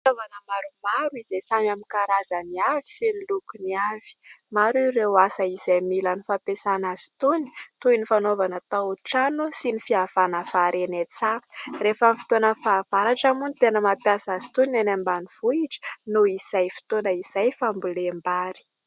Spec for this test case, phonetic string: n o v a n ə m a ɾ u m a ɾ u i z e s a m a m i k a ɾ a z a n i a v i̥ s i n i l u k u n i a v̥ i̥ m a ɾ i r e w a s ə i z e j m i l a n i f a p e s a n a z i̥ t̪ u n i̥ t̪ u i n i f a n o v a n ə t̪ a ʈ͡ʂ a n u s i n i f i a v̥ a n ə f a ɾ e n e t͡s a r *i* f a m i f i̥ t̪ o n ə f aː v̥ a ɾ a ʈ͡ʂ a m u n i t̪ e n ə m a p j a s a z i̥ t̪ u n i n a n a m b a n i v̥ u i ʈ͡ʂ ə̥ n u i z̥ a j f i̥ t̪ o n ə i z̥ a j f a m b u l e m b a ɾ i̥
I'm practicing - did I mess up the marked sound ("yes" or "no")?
yes